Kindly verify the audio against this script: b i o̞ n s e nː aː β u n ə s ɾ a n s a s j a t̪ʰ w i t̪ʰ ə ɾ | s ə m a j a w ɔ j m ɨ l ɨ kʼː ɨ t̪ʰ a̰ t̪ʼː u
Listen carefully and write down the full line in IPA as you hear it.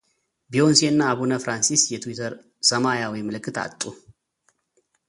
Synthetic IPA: b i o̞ n s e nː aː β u n ə f ɾ a n s i s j ɛ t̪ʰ w i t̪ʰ ə ɾ | s ə m a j a w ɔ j m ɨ l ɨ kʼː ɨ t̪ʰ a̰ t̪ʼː u